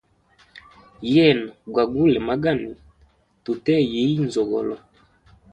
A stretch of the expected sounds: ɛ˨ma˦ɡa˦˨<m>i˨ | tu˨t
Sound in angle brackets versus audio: incorrect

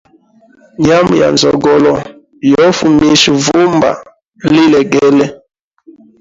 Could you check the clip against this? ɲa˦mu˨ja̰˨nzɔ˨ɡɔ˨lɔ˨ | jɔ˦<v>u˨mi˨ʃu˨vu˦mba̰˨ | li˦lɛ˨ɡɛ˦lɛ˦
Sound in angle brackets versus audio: incorrect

